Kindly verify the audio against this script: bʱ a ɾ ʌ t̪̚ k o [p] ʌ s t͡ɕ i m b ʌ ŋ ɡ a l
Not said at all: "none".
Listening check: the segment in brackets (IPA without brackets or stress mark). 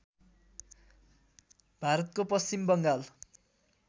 p